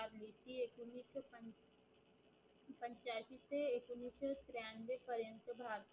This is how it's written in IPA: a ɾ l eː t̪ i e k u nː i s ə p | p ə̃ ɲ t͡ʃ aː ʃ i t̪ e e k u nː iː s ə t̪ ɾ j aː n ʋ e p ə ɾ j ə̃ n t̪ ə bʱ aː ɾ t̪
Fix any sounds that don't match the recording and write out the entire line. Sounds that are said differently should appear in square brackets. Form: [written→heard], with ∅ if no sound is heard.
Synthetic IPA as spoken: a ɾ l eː t̪ i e k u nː i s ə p | p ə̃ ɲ t͡ʃ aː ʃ i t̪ e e k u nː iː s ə t̪ ɾ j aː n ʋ e p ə ɾ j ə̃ n t̪ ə bʱ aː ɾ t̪